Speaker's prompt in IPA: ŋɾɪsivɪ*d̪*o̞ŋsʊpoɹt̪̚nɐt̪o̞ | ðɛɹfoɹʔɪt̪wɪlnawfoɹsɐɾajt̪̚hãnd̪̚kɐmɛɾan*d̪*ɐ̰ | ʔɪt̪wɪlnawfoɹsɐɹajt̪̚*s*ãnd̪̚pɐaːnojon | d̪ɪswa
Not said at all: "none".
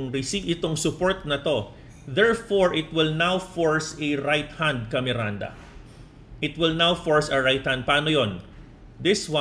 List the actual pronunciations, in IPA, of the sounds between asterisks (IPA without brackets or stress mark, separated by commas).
t̪, d̪, h